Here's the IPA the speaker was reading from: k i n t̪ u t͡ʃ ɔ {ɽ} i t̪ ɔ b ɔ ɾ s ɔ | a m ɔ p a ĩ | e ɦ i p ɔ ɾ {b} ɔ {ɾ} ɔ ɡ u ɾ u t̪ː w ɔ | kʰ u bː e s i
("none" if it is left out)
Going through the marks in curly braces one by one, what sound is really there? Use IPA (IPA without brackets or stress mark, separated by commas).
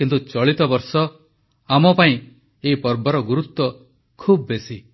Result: ɭ, b, ɾ